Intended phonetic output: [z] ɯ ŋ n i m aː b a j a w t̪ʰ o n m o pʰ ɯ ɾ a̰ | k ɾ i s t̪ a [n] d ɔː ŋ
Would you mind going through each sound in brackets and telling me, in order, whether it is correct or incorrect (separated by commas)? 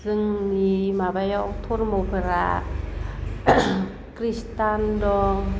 incorrect, correct